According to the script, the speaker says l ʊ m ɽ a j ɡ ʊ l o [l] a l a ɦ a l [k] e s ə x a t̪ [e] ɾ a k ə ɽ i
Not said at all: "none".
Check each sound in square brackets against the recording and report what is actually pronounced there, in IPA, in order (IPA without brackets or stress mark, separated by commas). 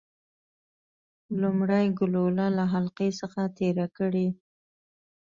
l, q, e